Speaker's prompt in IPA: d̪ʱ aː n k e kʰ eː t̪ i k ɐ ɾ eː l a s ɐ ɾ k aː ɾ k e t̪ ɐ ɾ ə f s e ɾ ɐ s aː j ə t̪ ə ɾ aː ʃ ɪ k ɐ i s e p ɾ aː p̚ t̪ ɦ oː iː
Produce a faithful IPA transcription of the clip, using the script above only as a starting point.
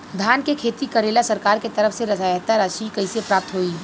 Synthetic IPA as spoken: d̪ʱ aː n k e kʰ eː t̪ i k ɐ ɾ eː l a s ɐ ɾ k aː ɾ k e t̪ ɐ ɾ ə f s e ɾ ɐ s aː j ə t̪ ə ɾ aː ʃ i k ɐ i s e p ɾ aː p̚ t̪ ɦ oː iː